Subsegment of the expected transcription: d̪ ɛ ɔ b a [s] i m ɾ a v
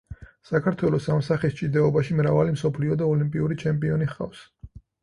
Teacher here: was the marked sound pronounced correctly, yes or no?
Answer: no